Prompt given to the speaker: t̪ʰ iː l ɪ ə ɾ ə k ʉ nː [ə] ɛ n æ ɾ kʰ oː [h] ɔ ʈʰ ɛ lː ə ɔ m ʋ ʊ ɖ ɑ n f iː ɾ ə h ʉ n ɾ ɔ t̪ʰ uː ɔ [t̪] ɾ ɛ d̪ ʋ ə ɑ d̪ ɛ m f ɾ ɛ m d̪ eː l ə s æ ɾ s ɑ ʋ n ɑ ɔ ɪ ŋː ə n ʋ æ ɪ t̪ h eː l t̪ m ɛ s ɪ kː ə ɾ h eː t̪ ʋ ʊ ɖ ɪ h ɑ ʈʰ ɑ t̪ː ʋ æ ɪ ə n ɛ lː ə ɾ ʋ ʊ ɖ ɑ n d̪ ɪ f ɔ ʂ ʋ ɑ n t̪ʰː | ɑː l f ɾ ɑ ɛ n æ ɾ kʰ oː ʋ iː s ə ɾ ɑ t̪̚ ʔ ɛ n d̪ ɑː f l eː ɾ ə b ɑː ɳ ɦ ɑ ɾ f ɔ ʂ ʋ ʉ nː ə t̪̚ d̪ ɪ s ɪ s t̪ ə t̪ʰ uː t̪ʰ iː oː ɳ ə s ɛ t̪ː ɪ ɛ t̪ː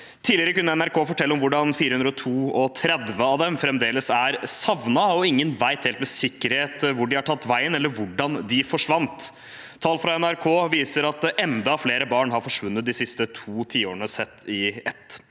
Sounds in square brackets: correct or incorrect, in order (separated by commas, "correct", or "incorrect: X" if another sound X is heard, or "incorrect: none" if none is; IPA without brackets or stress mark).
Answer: correct, incorrect: f, incorrect: t̪ʰ